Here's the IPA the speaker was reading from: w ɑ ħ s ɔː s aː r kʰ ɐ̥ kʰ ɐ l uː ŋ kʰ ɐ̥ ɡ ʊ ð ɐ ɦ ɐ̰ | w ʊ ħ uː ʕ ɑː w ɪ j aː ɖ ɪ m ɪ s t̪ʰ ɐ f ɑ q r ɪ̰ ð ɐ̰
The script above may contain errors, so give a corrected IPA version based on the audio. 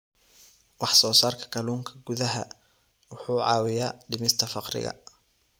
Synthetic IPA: w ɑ ħ s ɔː s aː r kʰ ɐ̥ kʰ ɐ l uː ŋ kʰ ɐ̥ ɡ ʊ ð ɐ ɦ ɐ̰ | w ʊ ħ uː ʕ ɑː w ɪ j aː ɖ ɪ m ɪ s t̪ʰ ɐ f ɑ q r ɪ̰ ɣ ɐ̰

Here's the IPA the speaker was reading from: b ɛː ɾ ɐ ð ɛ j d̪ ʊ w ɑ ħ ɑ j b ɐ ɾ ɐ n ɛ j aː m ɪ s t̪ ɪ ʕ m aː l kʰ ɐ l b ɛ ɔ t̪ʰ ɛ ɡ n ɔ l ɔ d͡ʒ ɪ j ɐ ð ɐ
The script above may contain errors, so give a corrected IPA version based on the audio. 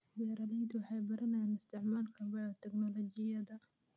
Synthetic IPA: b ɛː ɾ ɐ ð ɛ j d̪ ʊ w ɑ ħ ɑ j b ɐ ɾ ɐ n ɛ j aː n ɪ s t̪ ɪ ʕ m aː l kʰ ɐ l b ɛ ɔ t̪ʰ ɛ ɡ n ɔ l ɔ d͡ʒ ɪ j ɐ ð ɐ

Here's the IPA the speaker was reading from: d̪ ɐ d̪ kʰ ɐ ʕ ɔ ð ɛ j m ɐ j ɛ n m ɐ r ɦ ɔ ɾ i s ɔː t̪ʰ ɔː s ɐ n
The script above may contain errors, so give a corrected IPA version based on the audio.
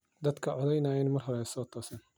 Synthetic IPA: d̪ ɐ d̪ kʰ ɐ ʕ ɔ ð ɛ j n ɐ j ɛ n m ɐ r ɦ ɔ ɾ ɛ s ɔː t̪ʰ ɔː s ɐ n

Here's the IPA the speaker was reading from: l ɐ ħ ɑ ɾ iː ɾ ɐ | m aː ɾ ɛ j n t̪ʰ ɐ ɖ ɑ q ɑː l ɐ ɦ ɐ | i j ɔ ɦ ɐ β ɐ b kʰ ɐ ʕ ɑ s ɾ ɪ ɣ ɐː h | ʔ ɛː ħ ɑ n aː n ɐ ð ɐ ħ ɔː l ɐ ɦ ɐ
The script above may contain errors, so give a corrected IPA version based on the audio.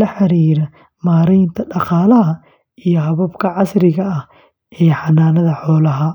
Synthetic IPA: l ɐ ħ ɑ ɾ iː ɾ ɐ | m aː ɾ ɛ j n t̪ʰ ɐ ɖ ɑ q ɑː l ɐ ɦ ɐ | i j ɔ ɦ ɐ β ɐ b kʰ ɐ ʕ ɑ s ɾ ɪ ɣ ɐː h | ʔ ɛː ħ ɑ n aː n ɐ ð ɐ ħ ɔː l ɐ ɦ ɐ

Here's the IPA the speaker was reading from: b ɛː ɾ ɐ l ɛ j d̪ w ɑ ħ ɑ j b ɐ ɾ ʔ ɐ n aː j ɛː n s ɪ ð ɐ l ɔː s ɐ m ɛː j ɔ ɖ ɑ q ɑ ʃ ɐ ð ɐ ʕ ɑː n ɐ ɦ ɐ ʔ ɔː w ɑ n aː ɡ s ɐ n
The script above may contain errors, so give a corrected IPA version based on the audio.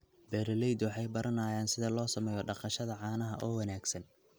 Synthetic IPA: b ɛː ɾ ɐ l ɛ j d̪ w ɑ ħ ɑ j b ɐ ɾ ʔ ɐ n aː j aː n s ɪ ð ɐ l ɔː s ɐ m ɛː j ɔ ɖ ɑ q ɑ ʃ ɐ ð ɐ ʕ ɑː n ɐ ɦ ɐ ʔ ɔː w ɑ n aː ɡ s ɐ n

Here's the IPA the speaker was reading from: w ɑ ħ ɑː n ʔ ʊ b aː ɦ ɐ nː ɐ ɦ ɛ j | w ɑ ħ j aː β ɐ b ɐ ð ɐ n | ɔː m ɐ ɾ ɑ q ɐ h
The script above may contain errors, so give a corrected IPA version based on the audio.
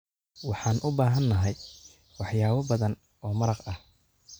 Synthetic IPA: w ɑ ħ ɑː n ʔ ʊ b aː ɦ ɐ nː ɐ ɦ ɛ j | w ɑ ħ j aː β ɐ b ɐ ð ɐ n | ɔː m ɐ ɾ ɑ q ɐ h

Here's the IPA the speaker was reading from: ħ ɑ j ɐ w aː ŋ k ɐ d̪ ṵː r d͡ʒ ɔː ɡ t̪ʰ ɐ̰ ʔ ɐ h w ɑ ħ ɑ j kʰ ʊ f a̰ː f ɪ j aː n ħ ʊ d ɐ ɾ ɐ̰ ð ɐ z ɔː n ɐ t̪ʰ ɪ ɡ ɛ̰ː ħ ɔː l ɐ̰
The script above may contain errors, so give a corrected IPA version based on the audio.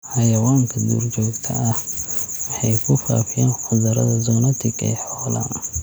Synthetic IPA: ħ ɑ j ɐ w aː ŋ kʰ ɐ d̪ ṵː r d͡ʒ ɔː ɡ t̪ʰ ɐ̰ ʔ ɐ h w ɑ ħ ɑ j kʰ ʊ f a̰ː f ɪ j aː n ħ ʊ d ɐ ɾ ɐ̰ ð ɐ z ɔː n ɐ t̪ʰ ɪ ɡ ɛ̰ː ħ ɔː l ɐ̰

